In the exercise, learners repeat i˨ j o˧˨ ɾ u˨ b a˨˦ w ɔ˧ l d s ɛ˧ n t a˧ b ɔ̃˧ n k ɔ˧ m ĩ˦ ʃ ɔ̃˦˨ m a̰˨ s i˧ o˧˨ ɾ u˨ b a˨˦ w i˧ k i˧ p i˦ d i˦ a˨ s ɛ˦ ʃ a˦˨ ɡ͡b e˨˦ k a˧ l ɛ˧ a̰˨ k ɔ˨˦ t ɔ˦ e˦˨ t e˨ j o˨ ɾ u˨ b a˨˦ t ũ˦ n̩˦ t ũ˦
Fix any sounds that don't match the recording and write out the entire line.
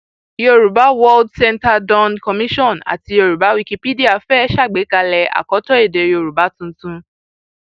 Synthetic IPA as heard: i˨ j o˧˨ ɾ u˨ b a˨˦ w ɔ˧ l d s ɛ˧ n t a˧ d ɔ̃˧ n k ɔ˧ m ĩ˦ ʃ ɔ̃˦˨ n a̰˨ t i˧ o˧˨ ɾ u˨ b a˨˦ w i˧ k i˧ p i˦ d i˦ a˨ f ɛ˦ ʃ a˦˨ ɡ͡b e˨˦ k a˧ l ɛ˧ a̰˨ k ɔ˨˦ t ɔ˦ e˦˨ d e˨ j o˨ ɾ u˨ b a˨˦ t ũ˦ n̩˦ t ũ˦